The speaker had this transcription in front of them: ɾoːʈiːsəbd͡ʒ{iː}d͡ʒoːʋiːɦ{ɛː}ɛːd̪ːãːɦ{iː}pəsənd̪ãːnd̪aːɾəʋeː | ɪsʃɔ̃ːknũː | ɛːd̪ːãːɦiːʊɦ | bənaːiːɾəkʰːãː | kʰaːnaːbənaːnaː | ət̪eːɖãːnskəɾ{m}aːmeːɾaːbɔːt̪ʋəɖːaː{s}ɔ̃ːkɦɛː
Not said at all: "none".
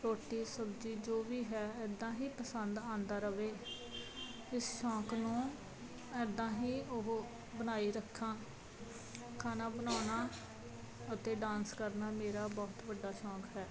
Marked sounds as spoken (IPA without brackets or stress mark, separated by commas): iː, ɛː, iː, n, ʃ